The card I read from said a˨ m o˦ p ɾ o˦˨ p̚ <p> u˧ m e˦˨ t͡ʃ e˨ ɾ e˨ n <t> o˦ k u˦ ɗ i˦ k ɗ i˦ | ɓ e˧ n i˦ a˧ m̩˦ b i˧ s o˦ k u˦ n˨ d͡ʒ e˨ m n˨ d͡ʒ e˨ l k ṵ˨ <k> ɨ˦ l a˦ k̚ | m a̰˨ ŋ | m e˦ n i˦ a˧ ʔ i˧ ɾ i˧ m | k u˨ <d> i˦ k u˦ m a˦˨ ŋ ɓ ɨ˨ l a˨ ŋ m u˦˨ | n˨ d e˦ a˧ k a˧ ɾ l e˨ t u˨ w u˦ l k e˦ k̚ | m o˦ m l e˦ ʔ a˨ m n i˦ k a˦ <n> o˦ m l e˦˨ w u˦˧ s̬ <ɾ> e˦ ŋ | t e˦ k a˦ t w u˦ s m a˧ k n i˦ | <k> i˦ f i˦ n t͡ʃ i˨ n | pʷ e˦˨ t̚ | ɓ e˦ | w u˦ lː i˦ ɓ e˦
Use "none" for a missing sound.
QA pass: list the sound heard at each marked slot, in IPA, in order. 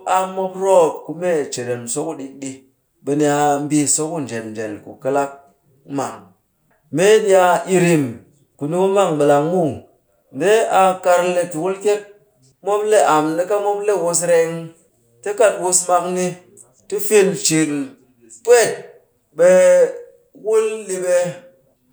k, s, k, n, m, ɾ, t

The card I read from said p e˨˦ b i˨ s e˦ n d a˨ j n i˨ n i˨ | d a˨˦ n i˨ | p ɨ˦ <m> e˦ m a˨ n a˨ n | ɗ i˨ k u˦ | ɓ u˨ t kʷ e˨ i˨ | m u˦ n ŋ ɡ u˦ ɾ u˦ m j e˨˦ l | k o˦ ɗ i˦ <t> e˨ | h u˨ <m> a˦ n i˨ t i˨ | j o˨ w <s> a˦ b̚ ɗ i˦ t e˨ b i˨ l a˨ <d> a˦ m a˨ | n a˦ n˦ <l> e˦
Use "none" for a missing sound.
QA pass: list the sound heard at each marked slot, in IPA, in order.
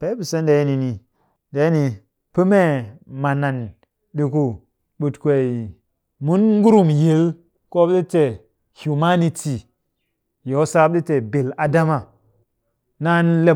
m, t, m, s, d, l

